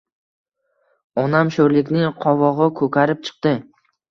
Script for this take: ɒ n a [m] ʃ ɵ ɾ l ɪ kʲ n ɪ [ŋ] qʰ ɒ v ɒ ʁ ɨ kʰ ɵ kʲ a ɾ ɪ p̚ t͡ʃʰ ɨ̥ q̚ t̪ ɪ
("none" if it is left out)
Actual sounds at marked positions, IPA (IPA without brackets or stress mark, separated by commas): m, ŋ